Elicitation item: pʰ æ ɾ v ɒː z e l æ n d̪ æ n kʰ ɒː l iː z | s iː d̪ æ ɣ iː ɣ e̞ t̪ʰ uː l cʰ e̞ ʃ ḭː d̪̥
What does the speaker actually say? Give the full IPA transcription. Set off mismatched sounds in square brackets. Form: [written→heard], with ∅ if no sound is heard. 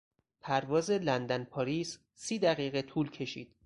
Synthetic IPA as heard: pʰ æ ɾ v ɒː z e l æ n d̪ æ n [kʰ→pʰ] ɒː [l→ɾ] iː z | s iː d̪ æ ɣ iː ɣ e̞ t̪ʰ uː l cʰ e̞ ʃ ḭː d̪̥